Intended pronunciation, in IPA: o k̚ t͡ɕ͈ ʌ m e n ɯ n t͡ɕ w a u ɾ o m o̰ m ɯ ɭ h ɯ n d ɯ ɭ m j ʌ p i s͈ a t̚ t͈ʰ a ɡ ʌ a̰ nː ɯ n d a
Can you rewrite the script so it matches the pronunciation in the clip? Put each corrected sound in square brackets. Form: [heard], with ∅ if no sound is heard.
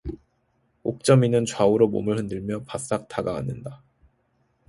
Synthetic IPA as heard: o k̚ t͡ɕ͈ ʌ m [i] n ɯ n t͡ɕ w a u ɾ o m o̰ m ɯ ɭ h ɯ n d ɯ ɭ m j ʌ p [a] s͈ a [k̚] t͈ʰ a ɡ [a] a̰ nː ɯ n d a